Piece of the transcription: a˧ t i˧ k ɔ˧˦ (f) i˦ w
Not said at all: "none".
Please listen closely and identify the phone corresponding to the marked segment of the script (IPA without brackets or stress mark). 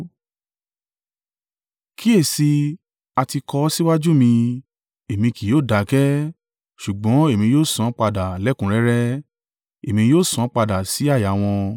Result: s